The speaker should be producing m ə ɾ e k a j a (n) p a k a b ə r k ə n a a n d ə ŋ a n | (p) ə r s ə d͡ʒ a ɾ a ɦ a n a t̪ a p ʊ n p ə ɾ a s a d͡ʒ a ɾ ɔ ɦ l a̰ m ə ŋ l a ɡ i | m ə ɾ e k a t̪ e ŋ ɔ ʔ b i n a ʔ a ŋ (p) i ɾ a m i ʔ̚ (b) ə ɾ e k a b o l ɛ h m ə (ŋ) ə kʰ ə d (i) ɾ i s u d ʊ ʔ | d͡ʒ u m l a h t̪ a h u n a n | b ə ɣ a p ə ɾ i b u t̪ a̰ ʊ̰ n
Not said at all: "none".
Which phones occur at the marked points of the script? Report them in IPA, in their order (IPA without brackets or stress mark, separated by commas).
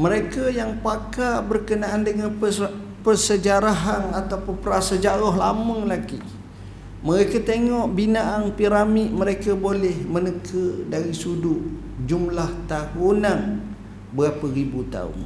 ŋ, p, p, m, n, a